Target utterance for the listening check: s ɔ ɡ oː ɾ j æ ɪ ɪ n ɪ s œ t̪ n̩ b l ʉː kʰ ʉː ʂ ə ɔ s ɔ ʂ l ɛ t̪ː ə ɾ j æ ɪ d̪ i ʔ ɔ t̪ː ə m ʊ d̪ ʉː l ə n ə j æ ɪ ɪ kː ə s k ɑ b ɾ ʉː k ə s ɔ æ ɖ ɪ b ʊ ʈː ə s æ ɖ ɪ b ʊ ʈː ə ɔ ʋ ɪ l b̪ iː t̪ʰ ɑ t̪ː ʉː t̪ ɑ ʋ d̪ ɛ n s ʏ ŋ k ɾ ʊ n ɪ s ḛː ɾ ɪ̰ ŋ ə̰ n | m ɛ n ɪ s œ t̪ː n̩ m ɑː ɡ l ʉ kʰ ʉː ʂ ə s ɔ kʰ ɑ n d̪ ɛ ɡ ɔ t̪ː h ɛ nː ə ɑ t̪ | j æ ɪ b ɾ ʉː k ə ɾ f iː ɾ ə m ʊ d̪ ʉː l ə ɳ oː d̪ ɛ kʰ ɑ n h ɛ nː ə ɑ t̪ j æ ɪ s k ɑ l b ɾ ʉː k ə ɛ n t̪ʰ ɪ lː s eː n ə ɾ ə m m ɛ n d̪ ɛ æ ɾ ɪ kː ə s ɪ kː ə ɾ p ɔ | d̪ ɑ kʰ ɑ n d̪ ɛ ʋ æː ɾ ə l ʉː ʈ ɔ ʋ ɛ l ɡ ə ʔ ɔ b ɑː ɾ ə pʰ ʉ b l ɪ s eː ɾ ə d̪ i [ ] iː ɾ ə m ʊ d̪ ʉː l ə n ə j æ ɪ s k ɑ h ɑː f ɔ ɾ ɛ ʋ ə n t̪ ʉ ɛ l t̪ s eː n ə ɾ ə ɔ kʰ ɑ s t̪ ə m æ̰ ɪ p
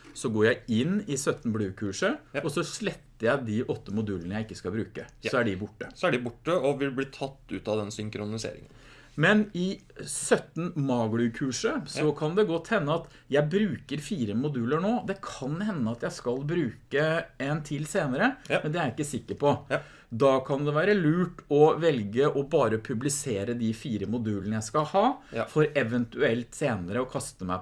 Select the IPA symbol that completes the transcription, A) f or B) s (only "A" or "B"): A